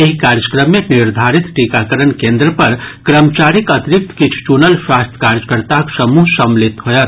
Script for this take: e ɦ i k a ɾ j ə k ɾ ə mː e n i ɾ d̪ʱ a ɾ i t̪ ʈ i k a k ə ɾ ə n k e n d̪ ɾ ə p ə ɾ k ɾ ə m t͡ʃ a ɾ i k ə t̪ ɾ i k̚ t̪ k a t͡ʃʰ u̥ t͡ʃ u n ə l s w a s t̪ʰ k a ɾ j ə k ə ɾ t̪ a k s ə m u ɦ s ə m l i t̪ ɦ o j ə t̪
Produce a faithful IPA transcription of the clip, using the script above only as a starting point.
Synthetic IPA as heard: e ɦ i k a ɾ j ə k ɾ ə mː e n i ɾ d̪ʱ a ɾ i t̪ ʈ i k a k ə ɾ ə n k e n d̪ ɾ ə p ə ɾ k ɾ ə m t͡ʃ a ɾ i k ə t̪ ɾ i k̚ t̪ k i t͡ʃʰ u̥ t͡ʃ u n ə l s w a s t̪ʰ k a ɾ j ə k ə ɾ t̪ a k s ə m u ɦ s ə m l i t̪ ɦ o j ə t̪